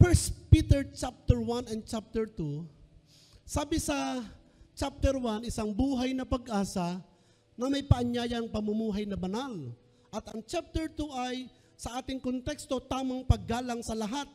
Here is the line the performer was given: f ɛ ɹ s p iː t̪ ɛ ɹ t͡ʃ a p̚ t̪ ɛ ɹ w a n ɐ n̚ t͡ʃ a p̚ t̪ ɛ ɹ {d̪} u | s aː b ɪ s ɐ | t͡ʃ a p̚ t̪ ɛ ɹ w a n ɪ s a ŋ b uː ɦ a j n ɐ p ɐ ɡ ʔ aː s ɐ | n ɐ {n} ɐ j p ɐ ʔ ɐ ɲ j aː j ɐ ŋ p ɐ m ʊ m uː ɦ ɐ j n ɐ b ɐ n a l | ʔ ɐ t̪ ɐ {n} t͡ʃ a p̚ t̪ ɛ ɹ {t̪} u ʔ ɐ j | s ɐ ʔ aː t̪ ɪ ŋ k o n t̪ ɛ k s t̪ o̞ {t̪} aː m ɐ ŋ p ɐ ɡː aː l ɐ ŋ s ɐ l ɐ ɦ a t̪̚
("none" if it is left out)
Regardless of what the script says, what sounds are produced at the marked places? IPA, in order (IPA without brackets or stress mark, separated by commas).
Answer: t̪, m, ŋ, t̪, t̪